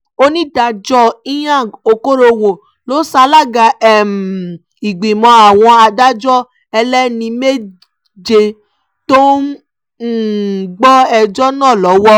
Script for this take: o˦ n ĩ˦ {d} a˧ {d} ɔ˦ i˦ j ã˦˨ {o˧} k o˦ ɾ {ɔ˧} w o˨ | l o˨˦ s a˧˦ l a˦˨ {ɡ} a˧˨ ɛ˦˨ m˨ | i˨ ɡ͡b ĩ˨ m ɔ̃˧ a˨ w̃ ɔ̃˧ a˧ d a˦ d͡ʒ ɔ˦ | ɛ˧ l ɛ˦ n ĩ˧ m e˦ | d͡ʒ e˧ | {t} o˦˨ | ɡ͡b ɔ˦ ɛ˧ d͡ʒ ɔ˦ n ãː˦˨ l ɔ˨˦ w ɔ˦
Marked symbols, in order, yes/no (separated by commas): yes, no, yes, no, yes, yes